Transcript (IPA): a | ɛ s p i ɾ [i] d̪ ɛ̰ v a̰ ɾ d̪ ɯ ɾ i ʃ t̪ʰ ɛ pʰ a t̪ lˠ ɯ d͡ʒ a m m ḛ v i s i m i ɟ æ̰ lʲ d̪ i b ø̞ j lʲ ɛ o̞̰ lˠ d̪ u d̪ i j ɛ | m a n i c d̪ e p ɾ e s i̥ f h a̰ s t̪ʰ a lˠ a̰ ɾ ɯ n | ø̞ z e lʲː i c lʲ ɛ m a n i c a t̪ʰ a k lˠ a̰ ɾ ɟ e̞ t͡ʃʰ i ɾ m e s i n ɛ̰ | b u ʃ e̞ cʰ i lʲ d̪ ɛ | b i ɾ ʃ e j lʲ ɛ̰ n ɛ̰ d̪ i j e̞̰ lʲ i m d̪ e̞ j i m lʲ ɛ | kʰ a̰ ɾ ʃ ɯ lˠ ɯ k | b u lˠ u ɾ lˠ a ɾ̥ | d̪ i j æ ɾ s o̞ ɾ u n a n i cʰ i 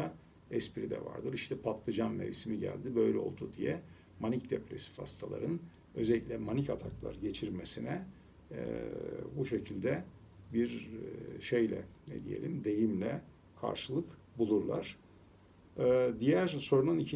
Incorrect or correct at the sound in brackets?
correct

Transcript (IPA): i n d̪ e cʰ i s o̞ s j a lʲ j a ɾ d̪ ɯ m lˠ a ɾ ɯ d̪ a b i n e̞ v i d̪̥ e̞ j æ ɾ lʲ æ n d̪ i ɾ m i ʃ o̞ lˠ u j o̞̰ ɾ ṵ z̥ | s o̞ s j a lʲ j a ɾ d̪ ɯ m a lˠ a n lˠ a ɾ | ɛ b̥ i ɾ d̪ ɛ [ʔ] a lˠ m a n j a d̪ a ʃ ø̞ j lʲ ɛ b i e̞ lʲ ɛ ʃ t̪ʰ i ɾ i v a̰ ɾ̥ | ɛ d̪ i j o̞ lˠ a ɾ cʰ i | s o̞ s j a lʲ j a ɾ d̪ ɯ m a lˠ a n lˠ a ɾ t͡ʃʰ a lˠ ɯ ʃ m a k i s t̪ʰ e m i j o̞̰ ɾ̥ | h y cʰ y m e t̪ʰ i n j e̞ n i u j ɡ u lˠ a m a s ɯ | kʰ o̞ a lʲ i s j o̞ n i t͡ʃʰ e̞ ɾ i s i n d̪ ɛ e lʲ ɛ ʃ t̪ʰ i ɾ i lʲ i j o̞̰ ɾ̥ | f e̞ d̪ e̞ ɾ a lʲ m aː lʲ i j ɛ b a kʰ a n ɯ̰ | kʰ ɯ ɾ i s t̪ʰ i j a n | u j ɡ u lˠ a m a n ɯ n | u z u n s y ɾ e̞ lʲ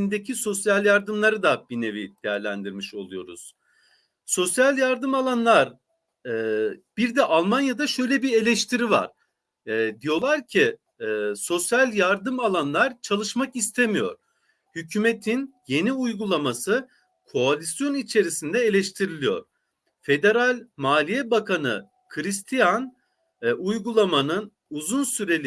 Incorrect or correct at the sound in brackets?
correct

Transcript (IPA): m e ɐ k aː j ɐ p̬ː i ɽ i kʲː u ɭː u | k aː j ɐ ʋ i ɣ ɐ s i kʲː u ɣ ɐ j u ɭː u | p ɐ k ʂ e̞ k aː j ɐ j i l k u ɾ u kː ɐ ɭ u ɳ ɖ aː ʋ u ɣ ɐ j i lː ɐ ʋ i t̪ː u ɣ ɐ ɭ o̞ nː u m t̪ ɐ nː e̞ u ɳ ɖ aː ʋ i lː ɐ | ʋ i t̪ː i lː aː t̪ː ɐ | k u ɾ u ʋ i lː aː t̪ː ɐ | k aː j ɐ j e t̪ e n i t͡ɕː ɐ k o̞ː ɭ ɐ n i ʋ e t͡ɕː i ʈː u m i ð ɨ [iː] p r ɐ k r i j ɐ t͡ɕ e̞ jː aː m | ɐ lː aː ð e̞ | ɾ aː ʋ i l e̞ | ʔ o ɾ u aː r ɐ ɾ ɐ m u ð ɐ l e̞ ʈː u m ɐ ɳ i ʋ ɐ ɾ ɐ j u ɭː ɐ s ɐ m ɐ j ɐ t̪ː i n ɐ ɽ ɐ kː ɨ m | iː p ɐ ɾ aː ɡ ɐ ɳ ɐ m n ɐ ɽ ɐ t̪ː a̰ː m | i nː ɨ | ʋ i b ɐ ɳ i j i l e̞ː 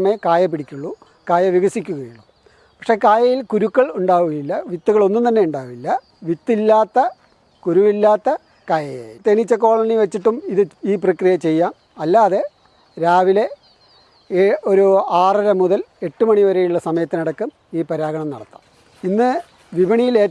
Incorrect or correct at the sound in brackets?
correct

